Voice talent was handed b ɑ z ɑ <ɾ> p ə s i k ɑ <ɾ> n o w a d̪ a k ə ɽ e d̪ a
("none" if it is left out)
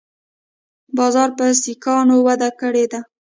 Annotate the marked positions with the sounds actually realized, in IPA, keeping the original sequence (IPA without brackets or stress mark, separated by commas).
ɾ, none